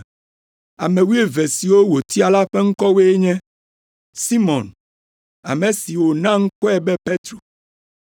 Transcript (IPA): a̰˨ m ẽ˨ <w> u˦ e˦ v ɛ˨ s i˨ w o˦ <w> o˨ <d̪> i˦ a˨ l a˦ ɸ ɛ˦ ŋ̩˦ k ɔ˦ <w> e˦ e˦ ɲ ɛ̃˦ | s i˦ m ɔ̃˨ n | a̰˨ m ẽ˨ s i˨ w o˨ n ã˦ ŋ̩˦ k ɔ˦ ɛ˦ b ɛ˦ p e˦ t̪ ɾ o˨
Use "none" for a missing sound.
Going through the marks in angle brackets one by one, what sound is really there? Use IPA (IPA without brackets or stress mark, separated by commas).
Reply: w, w, t̪, w